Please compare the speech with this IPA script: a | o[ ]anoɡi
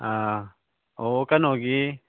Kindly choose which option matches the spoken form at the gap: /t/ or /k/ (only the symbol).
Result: k